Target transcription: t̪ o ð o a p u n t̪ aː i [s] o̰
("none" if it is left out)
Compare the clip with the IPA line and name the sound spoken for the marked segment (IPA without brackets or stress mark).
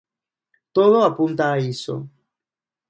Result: s